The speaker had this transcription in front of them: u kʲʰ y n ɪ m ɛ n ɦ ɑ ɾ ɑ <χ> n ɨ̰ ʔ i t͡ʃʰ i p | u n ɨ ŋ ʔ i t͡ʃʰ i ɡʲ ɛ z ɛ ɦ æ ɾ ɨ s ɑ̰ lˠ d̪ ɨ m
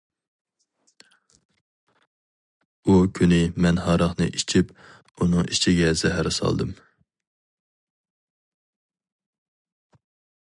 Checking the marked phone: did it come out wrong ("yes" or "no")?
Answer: no